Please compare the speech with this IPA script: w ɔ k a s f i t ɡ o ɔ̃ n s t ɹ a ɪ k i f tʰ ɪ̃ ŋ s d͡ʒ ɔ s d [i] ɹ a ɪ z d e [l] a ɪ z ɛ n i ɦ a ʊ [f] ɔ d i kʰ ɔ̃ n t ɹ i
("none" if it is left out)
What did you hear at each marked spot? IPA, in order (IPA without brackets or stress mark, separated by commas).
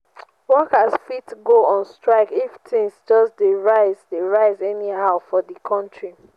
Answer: e, ɹ, f